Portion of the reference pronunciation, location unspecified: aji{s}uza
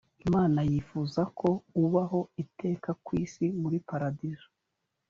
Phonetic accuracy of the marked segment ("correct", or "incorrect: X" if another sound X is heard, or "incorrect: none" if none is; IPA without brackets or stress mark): incorrect: f